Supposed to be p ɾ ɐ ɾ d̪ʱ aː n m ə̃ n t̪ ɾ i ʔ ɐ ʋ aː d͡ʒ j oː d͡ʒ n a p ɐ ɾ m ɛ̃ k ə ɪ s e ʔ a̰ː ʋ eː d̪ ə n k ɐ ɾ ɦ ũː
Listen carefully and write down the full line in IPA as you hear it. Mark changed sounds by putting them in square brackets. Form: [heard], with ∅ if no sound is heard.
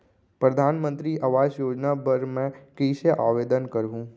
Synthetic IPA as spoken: p ɾ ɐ [∅] d̪ʱ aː n m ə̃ n t̪ ɾ i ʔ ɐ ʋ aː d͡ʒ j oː d͡ʒ n a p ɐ ɾ m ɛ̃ k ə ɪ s e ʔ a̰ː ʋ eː d̪ ə n k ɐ ɾ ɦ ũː

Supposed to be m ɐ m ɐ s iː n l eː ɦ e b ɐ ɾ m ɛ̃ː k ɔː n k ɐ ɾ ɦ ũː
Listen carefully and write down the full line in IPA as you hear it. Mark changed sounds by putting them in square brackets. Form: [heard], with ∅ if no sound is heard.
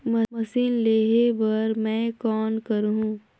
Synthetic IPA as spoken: m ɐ m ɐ s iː n l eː ɦ e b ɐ ɾ m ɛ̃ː k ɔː n k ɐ ɾ ɦ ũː

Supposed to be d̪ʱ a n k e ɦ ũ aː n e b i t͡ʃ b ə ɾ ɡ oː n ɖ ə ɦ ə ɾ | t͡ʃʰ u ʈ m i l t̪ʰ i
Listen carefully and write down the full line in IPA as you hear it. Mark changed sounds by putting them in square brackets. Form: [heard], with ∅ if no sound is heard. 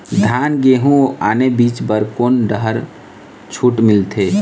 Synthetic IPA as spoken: d̪ʱ a n [ɡ] e ɦ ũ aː n e b i t͡ʃ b ə ɾ [k] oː n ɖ ə ɦ ə ɾ | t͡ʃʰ u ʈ m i l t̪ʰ [e]

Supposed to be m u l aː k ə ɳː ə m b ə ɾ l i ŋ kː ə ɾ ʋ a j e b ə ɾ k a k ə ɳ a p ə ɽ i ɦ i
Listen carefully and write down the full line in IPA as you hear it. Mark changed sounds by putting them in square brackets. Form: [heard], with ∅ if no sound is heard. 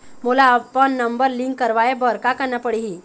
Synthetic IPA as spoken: m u l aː [p] ə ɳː ə m b ə ɾ l i ŋ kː ə ɾ ʋ a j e b ə ɾ k a k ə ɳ a p ə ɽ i ɦ i

